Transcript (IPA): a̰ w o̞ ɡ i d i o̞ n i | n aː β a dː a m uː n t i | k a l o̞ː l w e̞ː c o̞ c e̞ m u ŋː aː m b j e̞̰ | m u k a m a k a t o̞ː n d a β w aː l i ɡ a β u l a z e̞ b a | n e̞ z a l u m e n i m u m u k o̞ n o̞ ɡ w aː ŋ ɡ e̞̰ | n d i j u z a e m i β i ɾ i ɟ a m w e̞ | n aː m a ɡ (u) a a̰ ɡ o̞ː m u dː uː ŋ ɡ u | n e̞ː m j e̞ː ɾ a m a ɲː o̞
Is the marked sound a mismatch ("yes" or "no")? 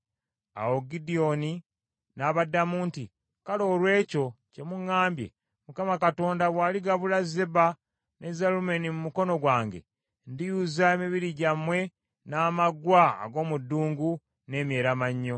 yes